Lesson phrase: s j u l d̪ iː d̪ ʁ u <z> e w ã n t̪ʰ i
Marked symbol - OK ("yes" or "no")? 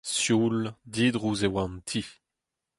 yes